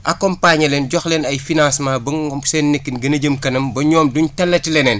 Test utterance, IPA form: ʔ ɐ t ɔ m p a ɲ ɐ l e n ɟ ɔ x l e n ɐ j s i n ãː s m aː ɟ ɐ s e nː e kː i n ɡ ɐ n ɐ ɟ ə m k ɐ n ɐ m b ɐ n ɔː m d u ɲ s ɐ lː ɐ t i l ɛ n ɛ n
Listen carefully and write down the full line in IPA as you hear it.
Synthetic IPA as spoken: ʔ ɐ k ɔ m p a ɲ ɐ l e n ɟ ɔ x l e n ɐ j f i n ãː s m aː b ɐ s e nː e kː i n ɡ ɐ n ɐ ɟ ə m k ɐ n ɐ m b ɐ ɲ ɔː m d u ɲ t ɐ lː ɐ t i l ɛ n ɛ n